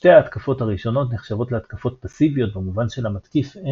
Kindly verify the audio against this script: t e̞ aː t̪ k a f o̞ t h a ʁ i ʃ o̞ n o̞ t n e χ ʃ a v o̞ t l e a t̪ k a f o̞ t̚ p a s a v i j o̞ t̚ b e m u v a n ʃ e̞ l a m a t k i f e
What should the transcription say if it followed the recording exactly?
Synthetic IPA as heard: t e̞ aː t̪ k a f o̞ t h a ʁ i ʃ o̞ n o̞ t n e χ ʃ a v o̞ t l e a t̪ k a f o̞ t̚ p a s i v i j o̞ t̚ b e m u v a n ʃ e̞ l a m a t k i f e